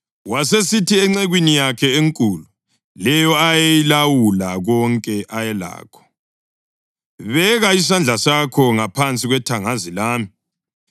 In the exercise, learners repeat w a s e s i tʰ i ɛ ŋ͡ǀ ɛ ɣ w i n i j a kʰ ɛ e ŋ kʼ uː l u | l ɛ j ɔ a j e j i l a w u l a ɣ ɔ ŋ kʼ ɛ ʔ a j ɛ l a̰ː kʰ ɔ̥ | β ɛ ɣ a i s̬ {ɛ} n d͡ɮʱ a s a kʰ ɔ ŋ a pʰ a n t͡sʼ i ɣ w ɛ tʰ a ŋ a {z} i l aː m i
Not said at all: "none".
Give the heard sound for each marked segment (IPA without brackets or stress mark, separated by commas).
a, z